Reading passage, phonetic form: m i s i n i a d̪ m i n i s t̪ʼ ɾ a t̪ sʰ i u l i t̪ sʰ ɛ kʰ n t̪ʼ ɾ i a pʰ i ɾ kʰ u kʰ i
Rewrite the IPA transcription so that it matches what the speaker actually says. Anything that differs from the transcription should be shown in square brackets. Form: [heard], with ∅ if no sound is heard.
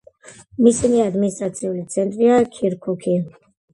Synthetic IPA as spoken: m i s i n i a d̪ m i n i s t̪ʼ ɾ a t̪ sʰ i u l i t̪ sʰ ɛ [∅] n t̪ʼ ɾ i a [kʰ] i ɾ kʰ u kʰ i